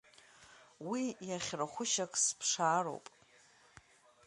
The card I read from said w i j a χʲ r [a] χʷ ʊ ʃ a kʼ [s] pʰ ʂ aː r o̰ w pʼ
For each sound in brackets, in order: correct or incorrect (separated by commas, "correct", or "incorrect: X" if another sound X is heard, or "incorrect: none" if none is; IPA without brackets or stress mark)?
correct, correct